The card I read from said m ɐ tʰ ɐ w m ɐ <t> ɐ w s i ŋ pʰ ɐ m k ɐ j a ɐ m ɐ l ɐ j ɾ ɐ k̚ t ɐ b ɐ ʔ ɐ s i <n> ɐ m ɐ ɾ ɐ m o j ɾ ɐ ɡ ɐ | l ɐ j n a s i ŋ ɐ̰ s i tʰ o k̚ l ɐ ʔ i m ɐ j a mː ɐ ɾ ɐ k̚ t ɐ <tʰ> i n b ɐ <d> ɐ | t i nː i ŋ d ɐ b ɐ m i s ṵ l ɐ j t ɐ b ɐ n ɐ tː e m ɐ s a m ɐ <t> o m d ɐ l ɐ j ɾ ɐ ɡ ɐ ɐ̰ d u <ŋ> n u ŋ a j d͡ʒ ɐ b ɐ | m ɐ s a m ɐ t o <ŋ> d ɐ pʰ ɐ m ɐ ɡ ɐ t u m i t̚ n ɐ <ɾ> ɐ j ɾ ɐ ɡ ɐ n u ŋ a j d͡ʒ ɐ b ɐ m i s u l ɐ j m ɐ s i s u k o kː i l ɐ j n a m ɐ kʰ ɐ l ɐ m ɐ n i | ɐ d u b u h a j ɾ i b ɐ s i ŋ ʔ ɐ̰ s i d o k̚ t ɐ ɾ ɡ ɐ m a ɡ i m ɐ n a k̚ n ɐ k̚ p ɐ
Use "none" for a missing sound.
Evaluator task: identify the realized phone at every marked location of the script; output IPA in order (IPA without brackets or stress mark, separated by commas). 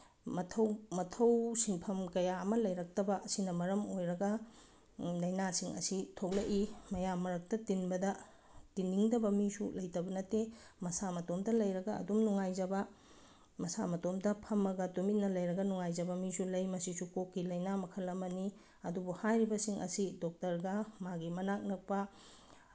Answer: tʰ, n, t, d, t, m, m, l